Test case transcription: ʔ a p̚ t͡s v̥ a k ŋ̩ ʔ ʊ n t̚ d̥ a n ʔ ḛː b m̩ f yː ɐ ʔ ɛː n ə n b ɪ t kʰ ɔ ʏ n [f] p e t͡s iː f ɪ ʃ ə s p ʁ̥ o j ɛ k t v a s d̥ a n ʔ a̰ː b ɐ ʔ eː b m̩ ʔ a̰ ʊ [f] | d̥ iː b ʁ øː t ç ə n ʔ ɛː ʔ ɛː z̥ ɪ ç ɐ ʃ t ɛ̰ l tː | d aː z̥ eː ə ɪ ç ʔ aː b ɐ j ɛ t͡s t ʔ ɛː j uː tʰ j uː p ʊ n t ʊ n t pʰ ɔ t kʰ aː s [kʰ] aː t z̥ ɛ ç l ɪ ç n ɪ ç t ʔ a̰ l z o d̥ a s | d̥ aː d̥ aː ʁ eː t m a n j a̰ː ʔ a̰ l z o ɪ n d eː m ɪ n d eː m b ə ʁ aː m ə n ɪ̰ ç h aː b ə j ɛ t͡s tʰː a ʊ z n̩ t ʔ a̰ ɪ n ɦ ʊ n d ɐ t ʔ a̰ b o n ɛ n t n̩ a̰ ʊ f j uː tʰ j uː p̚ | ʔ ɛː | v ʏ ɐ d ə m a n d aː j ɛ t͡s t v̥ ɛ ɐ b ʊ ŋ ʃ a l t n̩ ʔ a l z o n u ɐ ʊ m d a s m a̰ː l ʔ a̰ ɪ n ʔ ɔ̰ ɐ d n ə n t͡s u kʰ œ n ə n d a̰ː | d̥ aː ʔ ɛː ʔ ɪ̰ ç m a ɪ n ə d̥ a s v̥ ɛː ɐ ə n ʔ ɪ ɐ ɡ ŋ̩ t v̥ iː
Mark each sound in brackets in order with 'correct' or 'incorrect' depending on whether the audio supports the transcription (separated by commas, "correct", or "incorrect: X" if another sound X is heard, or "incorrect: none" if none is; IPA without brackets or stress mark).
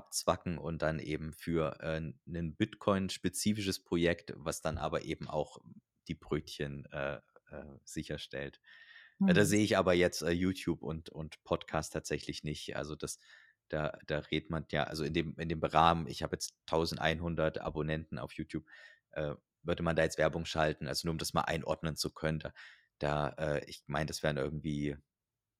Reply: incorrect: ʃ, incorrect: x, incorrect: tʰ